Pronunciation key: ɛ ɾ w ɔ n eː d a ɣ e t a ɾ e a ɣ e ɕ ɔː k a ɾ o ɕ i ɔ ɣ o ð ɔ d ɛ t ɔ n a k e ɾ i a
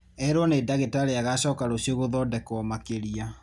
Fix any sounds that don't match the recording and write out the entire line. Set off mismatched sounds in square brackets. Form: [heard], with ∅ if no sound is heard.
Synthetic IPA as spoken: ɛ ɾ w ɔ n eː d a ɣ e t a ɾ e a ɣ [a] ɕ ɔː k a ɾ o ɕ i [o] ɣ o ð ɔ d ɛ [k] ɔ [m] a k e ɾ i a